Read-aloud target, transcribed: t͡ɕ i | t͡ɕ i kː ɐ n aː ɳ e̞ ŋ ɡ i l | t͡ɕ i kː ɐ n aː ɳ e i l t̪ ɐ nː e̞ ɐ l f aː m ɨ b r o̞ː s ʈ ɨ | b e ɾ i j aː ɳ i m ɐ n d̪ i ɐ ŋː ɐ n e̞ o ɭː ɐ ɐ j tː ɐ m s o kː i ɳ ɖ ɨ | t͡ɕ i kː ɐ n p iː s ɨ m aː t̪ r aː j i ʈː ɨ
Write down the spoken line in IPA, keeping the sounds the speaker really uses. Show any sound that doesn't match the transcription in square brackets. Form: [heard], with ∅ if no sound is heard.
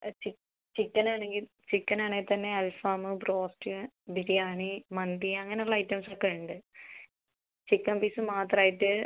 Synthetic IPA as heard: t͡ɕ i | t͡ɕ i kː ɐ n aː ɳ e̞ ŋ ɡ i l | t͡ɕ i kː ɐ n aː ɳ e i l t̪ ɐ nː e̞ ɐ l f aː m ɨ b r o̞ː s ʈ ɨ | b [i] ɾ i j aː ɳ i m ɐ n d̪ i ɐ ŋː ɐ n e̞ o ɭː ɐ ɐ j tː ɐ m s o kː [e] ɳ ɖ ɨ | t͡ɕ i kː ɐ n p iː s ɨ m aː t̪ r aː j i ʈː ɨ